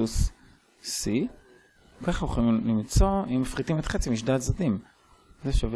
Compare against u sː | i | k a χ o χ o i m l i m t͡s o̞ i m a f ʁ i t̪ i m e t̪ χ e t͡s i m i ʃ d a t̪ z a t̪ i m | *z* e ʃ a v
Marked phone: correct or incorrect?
correct